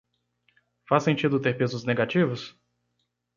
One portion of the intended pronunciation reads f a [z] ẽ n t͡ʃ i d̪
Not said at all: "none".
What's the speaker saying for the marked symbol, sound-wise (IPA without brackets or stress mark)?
s